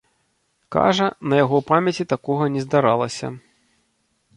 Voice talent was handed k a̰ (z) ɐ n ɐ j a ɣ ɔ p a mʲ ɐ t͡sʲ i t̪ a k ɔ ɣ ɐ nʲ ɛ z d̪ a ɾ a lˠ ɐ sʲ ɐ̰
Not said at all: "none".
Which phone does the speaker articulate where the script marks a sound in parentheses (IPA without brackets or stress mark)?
ʐ